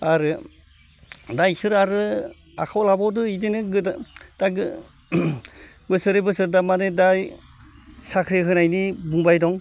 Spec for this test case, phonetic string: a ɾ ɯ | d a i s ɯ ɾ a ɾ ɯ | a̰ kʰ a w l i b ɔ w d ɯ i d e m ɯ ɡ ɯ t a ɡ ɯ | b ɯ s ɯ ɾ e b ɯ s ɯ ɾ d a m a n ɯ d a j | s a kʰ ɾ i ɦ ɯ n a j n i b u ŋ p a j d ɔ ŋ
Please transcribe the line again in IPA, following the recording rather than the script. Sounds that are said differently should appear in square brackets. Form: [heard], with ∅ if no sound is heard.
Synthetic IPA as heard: a ɾ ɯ | d a [j] s ɯ ɾ a ɾ ɯ | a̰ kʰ a w l [a] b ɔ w d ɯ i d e [n] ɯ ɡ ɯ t a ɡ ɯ | b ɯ s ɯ ɾ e b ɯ s ɯ ɾ d a m a n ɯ d a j | s a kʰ ɾ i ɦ ɯ n a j n i b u ŋ [b] a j d ɔ ŋ